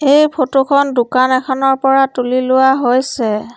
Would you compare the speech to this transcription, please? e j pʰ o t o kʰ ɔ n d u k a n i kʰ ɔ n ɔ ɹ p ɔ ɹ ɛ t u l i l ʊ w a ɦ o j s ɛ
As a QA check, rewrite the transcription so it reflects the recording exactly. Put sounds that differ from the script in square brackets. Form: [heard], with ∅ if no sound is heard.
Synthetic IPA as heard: e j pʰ o t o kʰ ɔ n d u k a n [ɛ] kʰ ɔ n ɔ ɹ p ɔ ɹ [a] t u l i l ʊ w a ɦ o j s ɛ